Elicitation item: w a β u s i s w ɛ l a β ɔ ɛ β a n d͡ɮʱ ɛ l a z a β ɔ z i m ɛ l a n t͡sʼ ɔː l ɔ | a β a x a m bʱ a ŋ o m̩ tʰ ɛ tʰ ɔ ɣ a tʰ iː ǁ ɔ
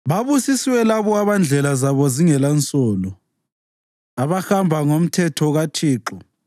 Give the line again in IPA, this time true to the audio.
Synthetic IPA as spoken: β a β u s i s w ɛ l a β ɔ a β a n d͡ɮʱ ɛ l a z a β ɔ z i ŋ ɛ l a n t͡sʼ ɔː l ɔ | a β a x a m bʱ a ŋ o m̩ tʰ ɛ tʰ ɔ ɣ a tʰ iː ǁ ɔ